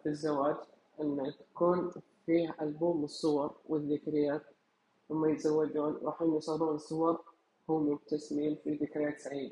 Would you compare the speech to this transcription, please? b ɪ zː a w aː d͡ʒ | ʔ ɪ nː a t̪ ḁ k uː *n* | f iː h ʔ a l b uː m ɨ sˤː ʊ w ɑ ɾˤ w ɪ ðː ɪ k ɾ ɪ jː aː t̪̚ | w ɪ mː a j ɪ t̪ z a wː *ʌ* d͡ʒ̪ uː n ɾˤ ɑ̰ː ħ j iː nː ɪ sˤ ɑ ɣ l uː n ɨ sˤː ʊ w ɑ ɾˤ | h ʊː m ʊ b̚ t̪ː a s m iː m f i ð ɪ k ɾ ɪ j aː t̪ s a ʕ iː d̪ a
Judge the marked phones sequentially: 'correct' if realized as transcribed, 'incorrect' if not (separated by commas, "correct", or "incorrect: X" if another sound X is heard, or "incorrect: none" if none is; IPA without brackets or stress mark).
correct, incorrect: a